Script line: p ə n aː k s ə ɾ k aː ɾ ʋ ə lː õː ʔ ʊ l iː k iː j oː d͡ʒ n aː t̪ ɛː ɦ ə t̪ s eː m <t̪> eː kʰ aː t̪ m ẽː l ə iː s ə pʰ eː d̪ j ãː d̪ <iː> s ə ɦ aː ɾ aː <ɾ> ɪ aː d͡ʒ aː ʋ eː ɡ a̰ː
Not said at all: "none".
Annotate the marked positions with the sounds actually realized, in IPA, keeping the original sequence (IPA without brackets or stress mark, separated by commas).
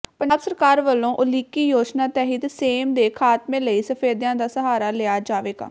d̪, aː, l